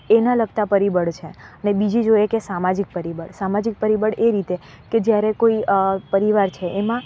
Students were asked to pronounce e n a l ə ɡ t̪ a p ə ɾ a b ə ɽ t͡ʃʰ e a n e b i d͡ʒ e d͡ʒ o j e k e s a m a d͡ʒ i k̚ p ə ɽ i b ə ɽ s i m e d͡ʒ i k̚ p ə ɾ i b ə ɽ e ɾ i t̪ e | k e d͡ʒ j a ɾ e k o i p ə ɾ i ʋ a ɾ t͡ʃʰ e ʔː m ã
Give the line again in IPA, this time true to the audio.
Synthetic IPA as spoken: e n a l ə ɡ t̪ a p ə ɾ i b ə ɽ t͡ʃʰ e ə n e b i d͡ʒ i d͡ʒ o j e k e s a m a d͡ʒ i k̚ p ə ɾ i b ə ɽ s a m a d͡ʒ i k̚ p ə ɾ i b ə ɽ e ɾ i t̪ e | k e d͡ʒ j a ɾ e k o i p ə ɾ i ʋ a ɾ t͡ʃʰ e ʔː m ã